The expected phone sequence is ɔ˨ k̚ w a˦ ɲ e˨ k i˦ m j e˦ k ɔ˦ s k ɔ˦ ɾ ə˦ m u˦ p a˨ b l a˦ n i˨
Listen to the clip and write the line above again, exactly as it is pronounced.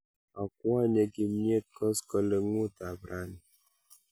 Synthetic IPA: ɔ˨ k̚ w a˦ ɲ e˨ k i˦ m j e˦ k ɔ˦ s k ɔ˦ l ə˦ ŋ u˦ t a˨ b ɾ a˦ n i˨